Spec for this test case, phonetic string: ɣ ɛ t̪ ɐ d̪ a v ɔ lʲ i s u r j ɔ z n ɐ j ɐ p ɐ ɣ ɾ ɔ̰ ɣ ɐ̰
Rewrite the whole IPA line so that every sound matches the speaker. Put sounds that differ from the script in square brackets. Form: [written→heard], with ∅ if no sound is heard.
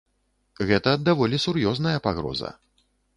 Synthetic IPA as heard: ɣ ɛ t̪ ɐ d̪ a v ɔ lʲ i s u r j ɔ z n ɐ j ɐ p [ɐ→a] ɣ ɾ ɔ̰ [ɣ→z] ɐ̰